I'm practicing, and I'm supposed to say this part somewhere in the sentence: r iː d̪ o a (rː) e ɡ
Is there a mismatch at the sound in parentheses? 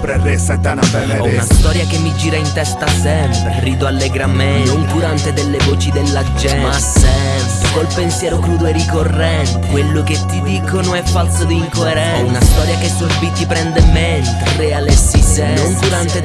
yes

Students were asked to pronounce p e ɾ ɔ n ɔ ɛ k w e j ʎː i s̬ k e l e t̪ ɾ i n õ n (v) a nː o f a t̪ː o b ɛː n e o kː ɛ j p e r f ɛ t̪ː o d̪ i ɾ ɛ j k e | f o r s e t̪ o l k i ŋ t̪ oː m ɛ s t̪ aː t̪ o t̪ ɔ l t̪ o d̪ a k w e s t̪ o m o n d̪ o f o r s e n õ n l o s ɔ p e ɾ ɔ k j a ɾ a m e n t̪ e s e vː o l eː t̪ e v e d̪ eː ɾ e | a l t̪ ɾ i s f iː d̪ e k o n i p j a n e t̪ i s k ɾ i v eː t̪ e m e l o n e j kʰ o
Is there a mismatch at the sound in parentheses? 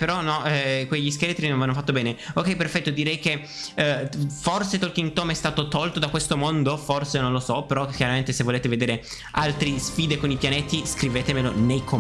no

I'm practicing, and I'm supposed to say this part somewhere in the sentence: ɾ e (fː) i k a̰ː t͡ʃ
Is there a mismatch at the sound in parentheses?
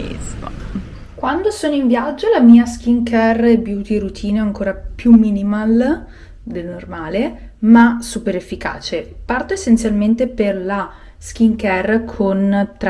no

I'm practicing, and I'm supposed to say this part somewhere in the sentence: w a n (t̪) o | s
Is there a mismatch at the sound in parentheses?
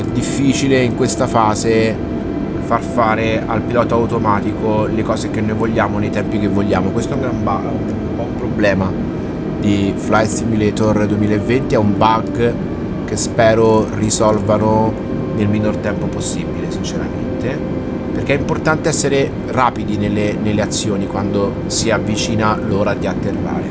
yes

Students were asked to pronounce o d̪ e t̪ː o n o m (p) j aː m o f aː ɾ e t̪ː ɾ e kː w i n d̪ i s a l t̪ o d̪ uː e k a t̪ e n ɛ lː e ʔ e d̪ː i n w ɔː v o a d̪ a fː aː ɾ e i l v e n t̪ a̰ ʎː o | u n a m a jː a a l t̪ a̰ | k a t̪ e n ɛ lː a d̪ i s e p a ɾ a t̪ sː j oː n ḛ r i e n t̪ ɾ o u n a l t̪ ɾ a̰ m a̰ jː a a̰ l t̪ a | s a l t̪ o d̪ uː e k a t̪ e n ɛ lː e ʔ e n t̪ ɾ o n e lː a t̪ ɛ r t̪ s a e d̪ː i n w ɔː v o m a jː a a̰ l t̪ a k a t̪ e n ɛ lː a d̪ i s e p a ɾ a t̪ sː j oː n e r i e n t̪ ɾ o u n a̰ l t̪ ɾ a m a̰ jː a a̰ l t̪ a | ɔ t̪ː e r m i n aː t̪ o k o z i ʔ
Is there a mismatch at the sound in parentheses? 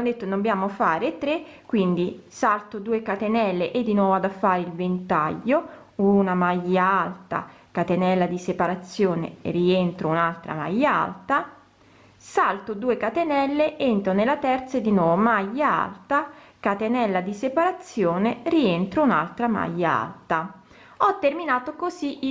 yes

